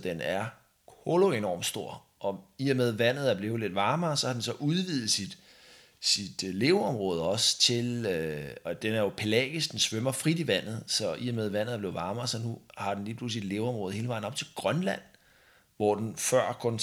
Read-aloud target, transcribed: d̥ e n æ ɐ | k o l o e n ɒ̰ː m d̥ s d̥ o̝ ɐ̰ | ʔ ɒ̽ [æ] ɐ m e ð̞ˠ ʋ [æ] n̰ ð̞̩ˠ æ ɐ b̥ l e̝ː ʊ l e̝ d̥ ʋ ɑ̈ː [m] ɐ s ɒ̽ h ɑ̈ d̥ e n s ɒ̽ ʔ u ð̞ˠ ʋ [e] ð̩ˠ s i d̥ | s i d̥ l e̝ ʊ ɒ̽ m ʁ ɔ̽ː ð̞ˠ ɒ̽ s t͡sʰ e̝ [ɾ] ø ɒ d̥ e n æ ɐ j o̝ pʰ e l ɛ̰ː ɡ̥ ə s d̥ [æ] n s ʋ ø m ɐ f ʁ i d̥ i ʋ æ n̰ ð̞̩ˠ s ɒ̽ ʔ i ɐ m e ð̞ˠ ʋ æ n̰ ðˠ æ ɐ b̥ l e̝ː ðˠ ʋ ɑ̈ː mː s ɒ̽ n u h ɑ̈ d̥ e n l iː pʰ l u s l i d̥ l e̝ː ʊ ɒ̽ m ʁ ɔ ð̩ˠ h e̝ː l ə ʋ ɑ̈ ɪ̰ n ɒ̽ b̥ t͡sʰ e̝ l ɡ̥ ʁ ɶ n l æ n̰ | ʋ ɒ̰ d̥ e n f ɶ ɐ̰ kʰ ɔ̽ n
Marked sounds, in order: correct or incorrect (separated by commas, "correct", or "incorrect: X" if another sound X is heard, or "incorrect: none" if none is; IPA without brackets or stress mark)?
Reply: incorrect: i, correct, correct, incorrect: i, incorrect: l, incorrect: e